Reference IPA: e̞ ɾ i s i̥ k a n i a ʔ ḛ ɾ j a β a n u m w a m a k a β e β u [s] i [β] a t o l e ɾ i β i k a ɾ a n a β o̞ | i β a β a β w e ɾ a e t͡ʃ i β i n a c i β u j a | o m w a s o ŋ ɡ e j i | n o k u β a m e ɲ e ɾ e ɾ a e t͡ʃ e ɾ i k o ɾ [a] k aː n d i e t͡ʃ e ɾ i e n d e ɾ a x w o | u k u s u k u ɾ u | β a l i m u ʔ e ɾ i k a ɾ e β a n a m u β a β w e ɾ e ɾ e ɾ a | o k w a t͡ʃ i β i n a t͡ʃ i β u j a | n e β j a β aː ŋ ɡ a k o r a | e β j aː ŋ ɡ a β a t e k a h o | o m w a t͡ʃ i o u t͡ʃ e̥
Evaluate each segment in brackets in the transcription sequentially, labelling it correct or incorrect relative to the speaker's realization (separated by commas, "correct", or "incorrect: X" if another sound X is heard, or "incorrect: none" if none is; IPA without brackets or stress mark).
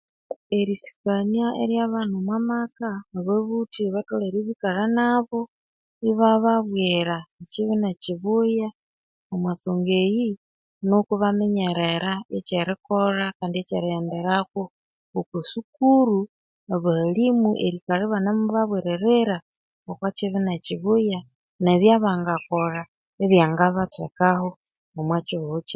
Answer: incorrect: t, correct, correct